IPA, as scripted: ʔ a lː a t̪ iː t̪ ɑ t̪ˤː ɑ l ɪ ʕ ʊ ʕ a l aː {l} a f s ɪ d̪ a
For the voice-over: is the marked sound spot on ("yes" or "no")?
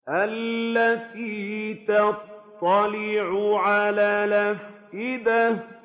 yes